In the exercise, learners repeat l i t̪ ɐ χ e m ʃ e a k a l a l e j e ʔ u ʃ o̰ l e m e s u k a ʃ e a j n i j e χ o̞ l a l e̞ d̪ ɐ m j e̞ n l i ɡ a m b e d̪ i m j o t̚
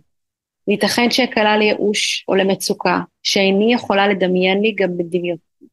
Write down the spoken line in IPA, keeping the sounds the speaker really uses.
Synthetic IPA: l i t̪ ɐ χ e n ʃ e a k a l a l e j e ʔ u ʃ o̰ l e m e t͡s u k a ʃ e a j n i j e χ o̞ l a l e̞ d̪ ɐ m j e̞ n l i ɡ a m b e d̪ i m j o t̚